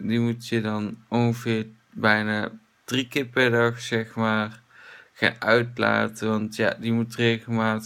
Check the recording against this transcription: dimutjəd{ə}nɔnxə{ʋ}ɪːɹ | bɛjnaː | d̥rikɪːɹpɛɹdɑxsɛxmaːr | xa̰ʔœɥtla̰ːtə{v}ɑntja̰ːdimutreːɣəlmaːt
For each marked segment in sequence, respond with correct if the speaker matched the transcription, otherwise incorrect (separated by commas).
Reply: incorrect, incorrect, incorrect